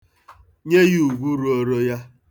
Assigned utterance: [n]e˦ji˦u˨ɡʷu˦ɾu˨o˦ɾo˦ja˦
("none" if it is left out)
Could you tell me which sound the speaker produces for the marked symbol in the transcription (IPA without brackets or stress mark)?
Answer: ɲ